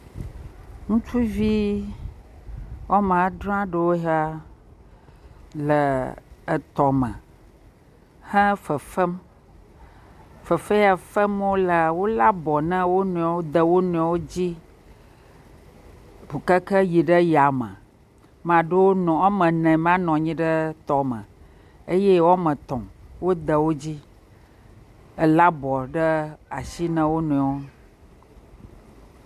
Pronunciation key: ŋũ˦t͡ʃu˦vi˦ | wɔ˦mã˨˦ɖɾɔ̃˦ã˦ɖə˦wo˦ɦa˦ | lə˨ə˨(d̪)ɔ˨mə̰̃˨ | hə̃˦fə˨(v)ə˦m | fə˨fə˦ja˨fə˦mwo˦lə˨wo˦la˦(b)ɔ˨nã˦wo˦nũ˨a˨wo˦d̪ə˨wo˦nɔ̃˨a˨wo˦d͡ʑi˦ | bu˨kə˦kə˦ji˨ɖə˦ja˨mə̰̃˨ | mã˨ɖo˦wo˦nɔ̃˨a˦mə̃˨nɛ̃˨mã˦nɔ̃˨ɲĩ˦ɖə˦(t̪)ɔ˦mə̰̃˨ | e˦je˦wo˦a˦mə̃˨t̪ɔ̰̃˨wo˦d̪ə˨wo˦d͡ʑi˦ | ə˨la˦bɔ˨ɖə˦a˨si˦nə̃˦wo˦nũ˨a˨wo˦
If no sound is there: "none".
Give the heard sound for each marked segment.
t̪, f, b, t̪

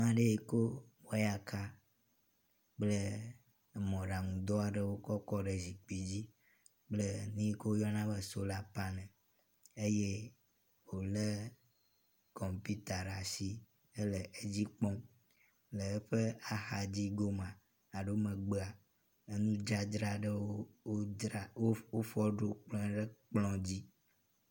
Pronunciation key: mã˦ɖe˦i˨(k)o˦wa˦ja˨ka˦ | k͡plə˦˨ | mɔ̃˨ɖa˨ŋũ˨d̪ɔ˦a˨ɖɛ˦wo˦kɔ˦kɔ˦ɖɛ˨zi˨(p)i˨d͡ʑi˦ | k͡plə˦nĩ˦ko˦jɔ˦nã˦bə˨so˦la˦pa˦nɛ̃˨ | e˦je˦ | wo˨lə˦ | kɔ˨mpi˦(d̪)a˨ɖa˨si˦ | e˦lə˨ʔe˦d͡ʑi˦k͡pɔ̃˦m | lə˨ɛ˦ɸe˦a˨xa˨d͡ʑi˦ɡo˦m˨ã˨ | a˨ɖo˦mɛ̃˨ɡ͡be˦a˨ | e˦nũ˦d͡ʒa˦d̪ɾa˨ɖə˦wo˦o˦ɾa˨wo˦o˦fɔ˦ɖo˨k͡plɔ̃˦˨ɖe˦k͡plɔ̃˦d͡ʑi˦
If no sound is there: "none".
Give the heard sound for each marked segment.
k, k͡p, t̪

